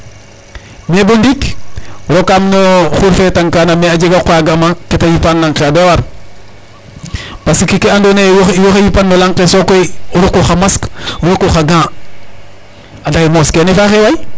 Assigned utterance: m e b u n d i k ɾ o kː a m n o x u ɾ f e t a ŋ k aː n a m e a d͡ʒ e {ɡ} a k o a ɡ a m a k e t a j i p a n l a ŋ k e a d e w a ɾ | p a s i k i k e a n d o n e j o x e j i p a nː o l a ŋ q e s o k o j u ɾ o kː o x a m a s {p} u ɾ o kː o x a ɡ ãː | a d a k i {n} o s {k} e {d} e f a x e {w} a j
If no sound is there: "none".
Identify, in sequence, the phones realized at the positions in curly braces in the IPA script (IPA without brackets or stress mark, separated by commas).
ɡ, k, m, k, n, w